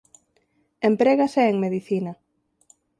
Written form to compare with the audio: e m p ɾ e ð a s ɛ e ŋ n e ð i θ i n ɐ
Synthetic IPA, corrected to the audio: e m p ɾ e ɣ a s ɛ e ŋ m e ð i θ i n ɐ